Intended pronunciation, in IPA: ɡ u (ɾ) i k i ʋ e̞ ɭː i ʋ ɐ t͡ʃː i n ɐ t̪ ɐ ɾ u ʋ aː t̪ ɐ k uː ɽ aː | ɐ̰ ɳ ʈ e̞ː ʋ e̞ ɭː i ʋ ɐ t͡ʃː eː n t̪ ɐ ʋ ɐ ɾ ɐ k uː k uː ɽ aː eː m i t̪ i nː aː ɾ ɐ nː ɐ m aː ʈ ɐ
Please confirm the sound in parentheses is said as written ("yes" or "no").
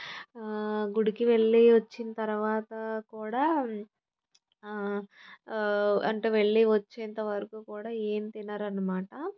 no